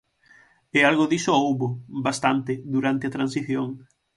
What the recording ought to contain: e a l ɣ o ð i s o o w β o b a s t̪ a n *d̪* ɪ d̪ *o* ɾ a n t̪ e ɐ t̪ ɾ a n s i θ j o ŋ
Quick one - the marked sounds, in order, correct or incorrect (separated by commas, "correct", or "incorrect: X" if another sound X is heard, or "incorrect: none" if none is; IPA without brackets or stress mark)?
incorrect: t̪, incorrect: u